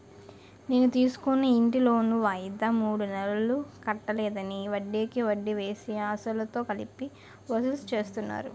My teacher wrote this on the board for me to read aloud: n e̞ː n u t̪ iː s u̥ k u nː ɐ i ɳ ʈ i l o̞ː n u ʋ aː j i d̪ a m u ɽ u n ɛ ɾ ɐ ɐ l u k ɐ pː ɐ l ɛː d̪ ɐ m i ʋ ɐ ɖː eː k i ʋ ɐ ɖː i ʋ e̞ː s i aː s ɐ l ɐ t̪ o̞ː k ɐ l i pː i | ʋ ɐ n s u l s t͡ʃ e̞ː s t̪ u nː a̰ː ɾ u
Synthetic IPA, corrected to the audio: n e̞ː n u t̪ iː s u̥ k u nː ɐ i ɳ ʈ i l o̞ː n u ʋ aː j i d̪ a m uː ɽ u n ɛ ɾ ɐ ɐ l u k ɐ ʈː ɐ l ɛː d̪ ɐ n i ʋ ɐ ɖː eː k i ʋ ɐ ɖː i ʋ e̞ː s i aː s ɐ l ɐ t̪ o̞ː k ɐ l i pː i | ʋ ɐ s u l s t͡ʃ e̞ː s t̪ u nː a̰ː ɾ u